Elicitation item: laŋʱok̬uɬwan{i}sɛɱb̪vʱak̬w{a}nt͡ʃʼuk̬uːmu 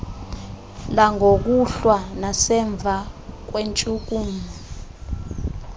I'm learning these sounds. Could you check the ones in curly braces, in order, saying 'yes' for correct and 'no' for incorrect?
no, no

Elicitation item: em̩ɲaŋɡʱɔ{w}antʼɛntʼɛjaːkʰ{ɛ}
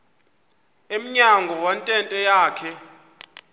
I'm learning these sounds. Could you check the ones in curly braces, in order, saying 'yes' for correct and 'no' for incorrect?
yes, yes

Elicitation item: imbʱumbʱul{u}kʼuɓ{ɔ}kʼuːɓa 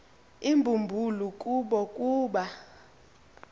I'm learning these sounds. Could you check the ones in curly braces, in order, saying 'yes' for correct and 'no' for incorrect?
yes, yes

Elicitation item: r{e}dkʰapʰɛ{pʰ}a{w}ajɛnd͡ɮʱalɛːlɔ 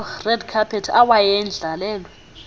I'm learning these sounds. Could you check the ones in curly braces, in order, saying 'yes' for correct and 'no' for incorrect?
no, no, yes

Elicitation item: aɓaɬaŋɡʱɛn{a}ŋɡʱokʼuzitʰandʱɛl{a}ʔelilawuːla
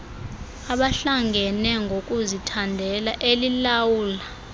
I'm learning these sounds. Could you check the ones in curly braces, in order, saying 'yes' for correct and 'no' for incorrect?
no, yes

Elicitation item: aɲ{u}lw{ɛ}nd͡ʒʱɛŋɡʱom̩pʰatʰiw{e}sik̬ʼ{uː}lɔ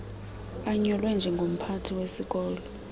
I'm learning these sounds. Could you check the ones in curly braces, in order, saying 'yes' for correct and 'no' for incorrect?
no, yes, yes, no

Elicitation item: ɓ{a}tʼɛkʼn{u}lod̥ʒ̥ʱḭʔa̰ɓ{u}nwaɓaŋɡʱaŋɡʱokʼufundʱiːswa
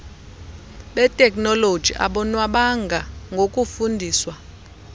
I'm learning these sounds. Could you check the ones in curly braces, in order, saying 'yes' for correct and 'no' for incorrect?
no, no, no

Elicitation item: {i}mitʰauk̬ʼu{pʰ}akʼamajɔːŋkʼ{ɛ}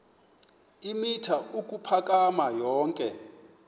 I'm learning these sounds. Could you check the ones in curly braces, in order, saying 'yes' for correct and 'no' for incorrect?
yes, yes, yes

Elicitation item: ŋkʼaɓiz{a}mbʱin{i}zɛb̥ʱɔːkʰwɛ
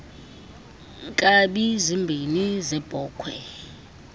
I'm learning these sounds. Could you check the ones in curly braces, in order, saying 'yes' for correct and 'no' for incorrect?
no, yes

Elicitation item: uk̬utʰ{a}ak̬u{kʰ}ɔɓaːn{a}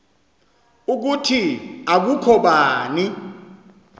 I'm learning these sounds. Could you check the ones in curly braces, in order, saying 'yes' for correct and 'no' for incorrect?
no, yes, no

